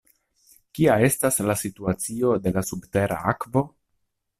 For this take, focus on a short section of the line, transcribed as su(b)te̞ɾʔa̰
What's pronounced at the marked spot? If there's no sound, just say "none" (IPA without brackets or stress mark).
b